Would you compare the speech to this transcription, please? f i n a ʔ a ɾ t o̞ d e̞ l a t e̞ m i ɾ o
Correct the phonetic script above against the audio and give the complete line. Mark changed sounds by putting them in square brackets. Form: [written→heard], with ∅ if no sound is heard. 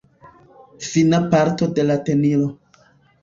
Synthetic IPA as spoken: f i n a [ʔ→p] a ɾ t o̞ d e̞ l a t e̞ [m→n] i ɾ o